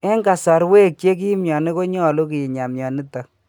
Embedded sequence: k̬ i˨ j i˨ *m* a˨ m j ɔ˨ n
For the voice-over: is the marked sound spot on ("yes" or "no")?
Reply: no